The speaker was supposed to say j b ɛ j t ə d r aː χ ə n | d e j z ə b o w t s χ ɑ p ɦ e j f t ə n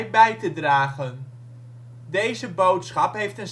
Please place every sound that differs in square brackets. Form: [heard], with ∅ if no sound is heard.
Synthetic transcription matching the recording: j b ɛ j t ə d r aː χ ə n | d e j z ə b o w t s χ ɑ p ɦ e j f t ə n